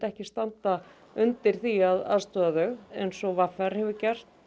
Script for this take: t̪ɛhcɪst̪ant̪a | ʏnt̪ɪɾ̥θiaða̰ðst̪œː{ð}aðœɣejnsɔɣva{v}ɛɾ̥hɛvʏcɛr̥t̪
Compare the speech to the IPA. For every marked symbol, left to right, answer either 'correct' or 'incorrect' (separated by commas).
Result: correct, incorrect